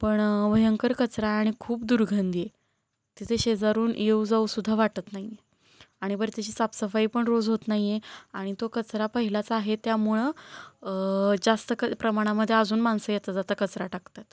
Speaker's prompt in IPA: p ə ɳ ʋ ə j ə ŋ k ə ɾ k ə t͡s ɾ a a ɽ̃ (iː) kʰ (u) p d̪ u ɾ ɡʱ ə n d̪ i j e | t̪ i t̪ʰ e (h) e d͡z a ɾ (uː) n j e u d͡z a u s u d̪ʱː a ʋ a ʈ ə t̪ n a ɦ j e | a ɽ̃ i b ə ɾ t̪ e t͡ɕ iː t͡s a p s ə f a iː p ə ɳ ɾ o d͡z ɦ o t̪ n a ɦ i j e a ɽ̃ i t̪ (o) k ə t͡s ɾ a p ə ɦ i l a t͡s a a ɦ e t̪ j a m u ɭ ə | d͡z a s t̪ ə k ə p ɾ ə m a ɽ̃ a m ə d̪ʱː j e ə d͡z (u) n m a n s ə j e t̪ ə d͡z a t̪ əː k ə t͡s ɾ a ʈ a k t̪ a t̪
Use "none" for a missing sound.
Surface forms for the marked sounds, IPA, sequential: i, uː, ɕ, uː, o, uː

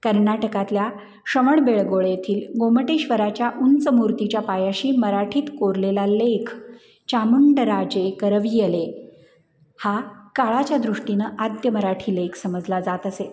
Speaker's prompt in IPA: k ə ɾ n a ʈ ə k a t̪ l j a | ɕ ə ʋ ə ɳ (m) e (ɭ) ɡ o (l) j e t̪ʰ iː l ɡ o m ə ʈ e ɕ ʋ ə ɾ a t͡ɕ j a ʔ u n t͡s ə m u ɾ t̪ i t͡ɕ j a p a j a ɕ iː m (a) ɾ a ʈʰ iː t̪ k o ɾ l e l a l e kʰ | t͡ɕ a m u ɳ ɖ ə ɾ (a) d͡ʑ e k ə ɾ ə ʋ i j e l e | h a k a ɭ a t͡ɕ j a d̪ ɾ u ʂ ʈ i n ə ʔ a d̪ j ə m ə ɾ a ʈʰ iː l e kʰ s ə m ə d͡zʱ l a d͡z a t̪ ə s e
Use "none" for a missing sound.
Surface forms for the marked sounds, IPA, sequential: b, ɭ, ɭ, ə, a

